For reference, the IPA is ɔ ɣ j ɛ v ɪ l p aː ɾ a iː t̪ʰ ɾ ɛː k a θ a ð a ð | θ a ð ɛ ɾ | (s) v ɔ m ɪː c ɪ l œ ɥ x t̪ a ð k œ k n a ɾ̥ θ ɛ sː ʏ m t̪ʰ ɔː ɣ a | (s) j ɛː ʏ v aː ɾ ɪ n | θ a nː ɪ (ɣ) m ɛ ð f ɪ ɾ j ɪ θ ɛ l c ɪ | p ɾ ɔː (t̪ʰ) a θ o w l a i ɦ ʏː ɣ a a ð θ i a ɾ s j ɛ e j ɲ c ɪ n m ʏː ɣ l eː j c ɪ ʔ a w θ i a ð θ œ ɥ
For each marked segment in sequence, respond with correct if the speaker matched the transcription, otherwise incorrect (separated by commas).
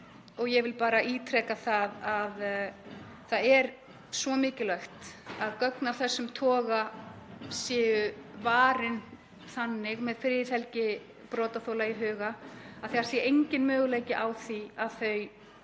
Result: correct, correct, correct, incorrect